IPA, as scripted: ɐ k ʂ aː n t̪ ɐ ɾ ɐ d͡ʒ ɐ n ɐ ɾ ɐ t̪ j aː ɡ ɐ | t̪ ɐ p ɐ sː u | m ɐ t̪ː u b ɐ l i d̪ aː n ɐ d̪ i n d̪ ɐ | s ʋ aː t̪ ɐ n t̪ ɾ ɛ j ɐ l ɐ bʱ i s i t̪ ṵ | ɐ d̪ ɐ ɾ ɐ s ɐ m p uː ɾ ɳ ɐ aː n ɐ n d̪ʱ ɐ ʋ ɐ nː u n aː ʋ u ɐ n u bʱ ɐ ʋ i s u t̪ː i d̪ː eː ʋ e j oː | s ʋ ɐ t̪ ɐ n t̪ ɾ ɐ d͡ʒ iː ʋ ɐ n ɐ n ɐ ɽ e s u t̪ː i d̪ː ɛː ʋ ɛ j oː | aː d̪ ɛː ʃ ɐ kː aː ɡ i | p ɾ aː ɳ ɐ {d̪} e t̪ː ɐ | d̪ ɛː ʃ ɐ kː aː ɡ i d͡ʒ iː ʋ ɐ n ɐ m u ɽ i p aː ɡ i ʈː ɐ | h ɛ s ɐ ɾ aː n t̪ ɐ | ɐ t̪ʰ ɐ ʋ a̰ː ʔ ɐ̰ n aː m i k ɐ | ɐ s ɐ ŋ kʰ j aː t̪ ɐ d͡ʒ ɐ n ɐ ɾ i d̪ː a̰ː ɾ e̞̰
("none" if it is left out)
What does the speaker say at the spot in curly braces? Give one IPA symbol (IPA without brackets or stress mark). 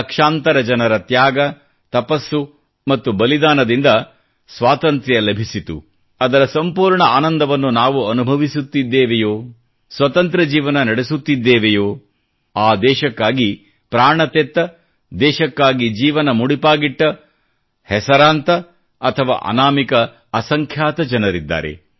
t̪